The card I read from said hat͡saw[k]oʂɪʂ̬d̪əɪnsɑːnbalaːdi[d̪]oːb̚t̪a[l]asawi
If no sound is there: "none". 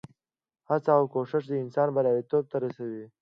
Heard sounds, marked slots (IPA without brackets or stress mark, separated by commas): k, t̪, ɾ